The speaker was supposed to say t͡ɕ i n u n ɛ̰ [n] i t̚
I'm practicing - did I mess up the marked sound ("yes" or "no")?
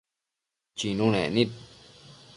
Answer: no